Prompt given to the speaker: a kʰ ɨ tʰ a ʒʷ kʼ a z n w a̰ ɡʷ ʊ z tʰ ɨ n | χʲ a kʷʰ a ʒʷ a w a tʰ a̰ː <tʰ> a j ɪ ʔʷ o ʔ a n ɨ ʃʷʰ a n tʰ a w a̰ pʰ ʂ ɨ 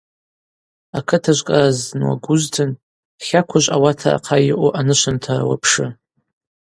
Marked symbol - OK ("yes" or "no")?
no